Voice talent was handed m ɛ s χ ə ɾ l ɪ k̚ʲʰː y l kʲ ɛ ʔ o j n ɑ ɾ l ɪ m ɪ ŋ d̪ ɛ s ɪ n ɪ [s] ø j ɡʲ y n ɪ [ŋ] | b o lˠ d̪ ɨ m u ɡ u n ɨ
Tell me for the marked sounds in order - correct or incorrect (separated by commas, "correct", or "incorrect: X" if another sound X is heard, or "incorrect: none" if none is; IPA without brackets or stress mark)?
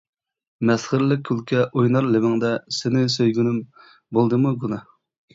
correct, incorrect: m